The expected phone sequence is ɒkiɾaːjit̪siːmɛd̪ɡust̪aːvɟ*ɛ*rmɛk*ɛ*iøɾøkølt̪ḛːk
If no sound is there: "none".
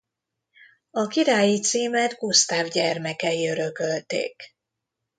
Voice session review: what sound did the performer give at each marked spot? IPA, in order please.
ɛ, ɛ

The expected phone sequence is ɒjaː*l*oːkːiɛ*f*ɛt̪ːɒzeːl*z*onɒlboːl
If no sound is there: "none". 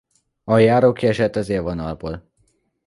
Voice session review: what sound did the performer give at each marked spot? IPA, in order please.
ɾ, ʃ, v

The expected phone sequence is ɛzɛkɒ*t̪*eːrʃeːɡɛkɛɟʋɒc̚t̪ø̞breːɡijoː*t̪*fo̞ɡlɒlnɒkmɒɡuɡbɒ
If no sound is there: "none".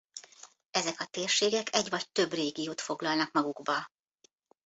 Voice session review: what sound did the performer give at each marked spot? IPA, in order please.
t̪, t̪

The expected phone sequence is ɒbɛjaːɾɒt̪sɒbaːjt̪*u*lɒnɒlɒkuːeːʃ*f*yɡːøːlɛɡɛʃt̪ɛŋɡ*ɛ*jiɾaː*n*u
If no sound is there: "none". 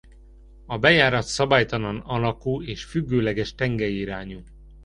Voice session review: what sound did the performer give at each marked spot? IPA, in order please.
ɒ, f, ɛ, ɲ

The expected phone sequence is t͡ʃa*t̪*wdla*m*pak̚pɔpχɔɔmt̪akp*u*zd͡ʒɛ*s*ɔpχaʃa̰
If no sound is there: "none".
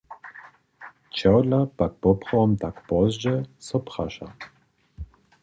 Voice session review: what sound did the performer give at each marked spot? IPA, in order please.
none, none, ɔ, s

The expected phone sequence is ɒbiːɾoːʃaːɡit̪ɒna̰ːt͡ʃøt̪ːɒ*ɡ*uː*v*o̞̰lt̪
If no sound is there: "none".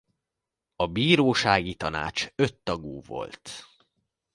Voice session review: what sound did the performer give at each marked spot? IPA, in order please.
ɡ, v

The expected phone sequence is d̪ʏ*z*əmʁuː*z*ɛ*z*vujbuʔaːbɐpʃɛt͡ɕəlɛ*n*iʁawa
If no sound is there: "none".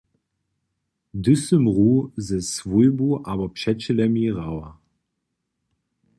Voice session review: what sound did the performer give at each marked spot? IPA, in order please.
s, z, s, m

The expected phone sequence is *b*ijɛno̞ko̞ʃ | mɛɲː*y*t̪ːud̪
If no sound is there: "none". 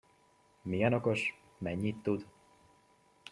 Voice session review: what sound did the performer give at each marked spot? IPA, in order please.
m, i

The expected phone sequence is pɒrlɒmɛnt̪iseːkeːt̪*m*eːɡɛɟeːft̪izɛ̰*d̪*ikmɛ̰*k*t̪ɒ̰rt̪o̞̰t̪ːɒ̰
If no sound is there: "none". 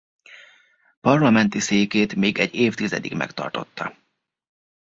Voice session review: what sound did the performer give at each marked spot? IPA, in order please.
m, d̪, k

